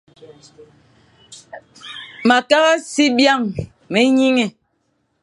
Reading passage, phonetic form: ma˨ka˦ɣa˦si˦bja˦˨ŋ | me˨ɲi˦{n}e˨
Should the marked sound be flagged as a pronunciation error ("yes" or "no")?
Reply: yes